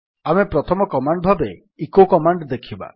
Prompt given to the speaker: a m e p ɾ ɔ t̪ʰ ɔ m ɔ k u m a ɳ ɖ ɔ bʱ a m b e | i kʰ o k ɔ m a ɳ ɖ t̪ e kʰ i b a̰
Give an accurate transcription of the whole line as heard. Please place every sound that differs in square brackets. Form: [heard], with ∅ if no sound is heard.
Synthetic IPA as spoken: a m e p ɾ ɔ t̪ʰ ɔ m ɔ k [ɔ] m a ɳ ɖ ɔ bʱ a [∅] b e | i [k] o k ɔ m a ɳ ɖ [d̪] e kʰ i b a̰